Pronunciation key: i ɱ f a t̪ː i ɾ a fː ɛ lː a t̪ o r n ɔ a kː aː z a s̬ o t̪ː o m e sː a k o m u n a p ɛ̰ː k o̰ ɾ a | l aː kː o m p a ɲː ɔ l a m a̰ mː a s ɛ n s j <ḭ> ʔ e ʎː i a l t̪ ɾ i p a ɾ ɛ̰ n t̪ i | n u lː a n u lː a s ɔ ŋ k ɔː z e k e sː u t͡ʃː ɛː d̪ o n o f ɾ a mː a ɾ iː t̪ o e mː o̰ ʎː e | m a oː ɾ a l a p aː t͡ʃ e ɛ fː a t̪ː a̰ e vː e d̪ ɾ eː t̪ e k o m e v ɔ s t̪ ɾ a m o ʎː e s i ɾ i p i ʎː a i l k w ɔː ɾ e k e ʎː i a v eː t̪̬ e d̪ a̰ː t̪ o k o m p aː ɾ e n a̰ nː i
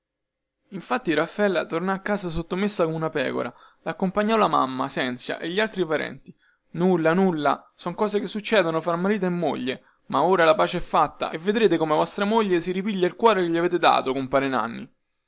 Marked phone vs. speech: incorrect: a̰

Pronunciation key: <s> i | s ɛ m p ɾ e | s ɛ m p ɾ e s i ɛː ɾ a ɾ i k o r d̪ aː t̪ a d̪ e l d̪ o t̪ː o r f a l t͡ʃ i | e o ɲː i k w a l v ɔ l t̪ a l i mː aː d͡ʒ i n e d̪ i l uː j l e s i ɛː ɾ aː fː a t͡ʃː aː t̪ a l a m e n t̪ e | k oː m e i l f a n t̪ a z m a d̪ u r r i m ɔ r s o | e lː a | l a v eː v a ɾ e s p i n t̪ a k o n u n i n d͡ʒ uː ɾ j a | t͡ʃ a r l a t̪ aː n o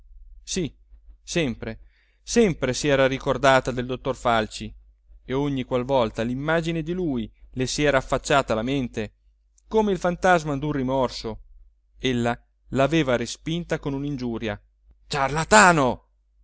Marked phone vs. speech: correct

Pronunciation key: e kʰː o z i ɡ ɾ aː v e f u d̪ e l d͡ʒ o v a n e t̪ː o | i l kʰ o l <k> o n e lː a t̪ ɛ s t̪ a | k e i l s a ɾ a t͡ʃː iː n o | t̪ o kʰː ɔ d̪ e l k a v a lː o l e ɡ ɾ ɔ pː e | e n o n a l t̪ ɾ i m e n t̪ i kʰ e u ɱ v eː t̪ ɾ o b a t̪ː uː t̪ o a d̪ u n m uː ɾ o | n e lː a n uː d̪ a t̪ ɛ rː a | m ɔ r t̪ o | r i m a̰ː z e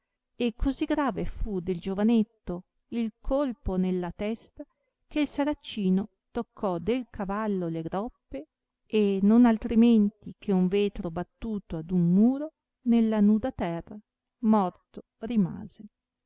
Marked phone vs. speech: incorrect: p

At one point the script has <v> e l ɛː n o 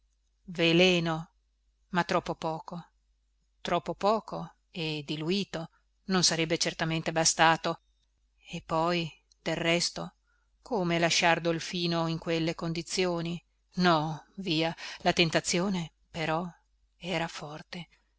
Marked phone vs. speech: correct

